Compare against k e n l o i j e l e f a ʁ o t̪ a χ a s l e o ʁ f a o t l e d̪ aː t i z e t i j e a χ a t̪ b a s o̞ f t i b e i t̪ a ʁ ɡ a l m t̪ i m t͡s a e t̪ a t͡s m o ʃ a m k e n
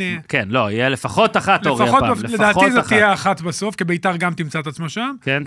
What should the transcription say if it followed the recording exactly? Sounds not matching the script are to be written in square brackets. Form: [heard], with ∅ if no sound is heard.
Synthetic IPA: k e n l o i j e l e f a [χ] o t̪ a χ a [t] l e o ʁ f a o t l e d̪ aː t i z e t i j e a χ a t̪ b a s o̞ f [k] i b e i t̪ a ʁ ɡ a [∅] m t̪ i m t͡s a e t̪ a t͡s m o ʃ a m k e n